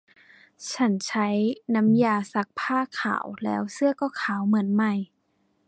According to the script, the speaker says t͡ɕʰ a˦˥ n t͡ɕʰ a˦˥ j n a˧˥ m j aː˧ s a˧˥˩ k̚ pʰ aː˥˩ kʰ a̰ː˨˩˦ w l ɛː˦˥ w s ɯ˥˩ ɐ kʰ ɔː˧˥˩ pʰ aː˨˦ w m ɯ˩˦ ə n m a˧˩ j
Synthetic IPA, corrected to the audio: t͡ɕʰ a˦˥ n t͡ɕʰ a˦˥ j n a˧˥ m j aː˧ s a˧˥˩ k̚ pʰ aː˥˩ kʰ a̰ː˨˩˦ w l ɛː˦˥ w s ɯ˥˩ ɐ k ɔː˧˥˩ kʰ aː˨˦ w m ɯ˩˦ ə n m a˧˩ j